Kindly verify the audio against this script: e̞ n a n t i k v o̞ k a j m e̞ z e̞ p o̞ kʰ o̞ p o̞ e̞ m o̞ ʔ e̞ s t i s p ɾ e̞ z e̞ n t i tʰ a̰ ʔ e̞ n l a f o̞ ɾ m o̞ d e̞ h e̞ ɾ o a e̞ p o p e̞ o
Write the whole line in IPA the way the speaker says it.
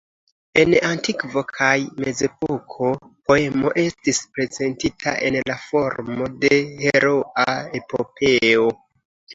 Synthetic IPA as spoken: e̞ n a n t i k v o̞ kʰ a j m e̞ z e̞ p o̞ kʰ o̞ p o̞ e̞ m o̞ ʔ e̞ s t i s p ɾ e̞ z e̞ n t i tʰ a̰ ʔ e̞ n l a f o̞ ɾ m o̞ d e̞ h e̞ ɾ o a e̞ p o p e̞ o